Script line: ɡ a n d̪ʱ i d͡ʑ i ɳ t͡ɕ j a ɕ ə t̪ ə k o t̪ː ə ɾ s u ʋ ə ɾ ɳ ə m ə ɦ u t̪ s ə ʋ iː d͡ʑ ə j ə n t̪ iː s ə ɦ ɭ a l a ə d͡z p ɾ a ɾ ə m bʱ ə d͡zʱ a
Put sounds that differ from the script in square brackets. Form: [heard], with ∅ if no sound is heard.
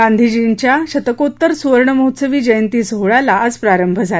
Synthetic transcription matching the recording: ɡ a n d̪ʱ i d͡ʑ i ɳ t͡ɕ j a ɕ ə t̪ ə k o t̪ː ə ɾ s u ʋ ə ɾ ɳ ə m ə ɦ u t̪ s ə ʋ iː d͡ʑ ə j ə n t̪ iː s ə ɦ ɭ a l a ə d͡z p ɾ a ɾ ə m bʱ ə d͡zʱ a